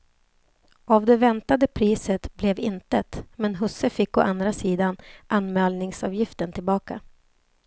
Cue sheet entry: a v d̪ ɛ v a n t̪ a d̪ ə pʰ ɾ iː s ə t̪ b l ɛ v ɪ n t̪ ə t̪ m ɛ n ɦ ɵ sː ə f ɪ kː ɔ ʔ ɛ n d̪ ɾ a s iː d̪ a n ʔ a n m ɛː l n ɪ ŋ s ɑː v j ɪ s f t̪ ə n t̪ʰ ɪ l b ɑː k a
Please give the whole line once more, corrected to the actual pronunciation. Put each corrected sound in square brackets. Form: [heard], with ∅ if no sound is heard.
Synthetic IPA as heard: a v d̪ ɛ v [ɛ] n t̪ a d̪ ə pʰ ɾ iː s ə t̪ b l ɛ v ɪ n t̪ ə t̪ m ɛ n ɦ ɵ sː ə f ɪ kː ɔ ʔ [a] n d̪ ɾ a s iː d̪ a n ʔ a n m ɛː l n ɪ ŋ s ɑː v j ɪ [∅] f t̪ ə n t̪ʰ ɪ l b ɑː k a